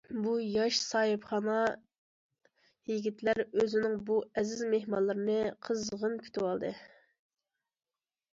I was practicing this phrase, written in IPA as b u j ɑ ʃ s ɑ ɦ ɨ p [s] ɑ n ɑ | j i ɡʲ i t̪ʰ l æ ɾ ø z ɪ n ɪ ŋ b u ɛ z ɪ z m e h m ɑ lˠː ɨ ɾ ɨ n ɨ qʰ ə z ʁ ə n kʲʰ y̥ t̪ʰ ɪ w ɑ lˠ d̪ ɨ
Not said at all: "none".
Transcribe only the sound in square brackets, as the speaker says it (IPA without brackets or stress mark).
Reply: χ